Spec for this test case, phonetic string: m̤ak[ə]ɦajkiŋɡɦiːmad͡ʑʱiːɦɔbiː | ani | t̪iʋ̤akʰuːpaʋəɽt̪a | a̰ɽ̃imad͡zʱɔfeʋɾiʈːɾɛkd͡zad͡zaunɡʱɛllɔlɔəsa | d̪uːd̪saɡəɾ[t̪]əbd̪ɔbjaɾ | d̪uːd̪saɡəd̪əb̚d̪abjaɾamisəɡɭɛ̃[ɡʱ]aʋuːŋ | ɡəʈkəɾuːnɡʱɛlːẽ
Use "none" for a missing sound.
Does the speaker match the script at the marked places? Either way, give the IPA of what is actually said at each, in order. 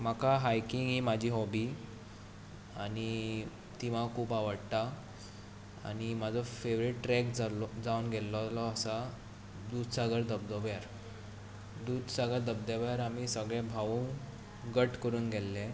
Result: a, d̪, bʱ

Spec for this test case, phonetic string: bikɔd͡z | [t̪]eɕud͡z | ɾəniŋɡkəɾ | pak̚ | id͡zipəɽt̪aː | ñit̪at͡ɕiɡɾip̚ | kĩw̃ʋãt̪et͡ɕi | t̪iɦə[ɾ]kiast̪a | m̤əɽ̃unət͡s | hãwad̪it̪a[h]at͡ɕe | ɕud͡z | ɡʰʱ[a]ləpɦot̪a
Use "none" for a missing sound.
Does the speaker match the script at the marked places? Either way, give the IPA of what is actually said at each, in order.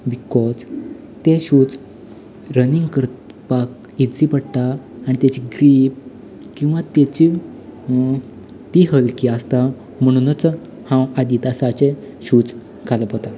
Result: t̪, l, s, a

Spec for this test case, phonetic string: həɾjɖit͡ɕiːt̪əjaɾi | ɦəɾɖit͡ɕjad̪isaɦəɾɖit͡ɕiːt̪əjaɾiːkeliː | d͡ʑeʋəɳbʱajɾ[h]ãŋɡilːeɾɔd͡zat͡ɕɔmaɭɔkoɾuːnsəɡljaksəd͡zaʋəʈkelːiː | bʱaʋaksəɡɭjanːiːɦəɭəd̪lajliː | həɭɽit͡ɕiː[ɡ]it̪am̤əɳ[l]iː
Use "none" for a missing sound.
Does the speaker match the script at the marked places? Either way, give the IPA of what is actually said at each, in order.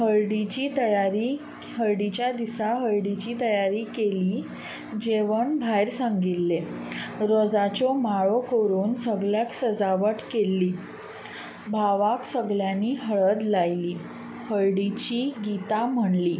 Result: s, ɡ, l

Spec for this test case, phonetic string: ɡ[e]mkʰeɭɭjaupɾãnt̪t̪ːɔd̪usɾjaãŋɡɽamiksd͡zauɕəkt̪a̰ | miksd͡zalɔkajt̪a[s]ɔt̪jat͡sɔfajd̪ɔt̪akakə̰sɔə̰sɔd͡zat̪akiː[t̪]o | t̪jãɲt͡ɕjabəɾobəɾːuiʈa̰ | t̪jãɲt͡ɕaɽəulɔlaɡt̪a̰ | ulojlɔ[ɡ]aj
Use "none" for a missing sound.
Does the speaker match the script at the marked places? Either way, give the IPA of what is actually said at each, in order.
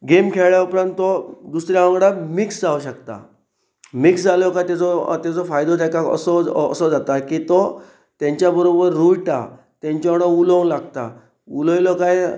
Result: e, t͡s, t̪, k

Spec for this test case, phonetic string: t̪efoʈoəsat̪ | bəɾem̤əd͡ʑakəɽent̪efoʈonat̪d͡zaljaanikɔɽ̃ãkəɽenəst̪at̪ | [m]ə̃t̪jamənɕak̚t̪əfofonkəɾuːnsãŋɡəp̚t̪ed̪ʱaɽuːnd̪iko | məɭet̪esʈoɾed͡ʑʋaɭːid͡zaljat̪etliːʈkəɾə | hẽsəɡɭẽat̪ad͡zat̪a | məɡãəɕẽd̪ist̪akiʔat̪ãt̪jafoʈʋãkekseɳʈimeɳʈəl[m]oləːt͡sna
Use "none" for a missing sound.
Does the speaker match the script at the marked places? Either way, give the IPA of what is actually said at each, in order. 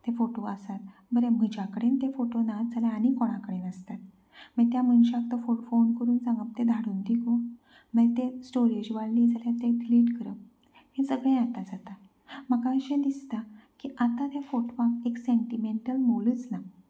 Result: m, m

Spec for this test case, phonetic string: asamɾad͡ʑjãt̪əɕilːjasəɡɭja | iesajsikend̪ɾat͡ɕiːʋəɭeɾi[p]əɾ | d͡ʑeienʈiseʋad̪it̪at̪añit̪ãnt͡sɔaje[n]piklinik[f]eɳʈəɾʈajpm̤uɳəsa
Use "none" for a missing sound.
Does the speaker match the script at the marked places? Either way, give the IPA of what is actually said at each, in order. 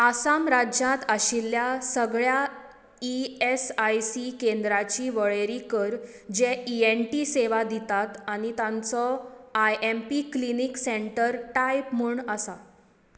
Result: k, m, s

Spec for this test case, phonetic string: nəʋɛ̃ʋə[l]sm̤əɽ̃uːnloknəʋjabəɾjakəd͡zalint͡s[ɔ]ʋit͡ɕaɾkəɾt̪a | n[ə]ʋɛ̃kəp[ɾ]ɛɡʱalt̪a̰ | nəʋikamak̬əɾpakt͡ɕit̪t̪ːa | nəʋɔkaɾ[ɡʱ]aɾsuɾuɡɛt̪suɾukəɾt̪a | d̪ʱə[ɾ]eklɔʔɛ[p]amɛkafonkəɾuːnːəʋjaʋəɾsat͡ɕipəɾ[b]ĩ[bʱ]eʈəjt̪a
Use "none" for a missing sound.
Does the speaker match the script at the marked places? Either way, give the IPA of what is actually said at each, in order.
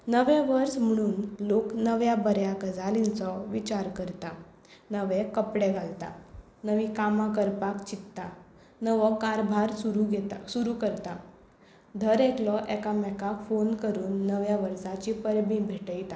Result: ɾ, ɔ, ə, ɽ, bʱ, ɾ, k, b, bʱ

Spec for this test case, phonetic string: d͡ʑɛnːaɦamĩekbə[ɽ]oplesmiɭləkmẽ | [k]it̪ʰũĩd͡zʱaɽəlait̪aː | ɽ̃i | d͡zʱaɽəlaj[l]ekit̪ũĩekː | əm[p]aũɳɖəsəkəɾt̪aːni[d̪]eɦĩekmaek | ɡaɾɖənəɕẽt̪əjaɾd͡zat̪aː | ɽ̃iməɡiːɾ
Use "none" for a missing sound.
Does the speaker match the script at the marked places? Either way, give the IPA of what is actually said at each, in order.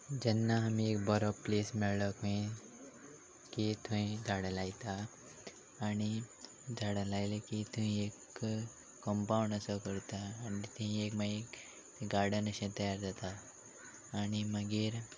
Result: ɾ, k, l, p, t̪

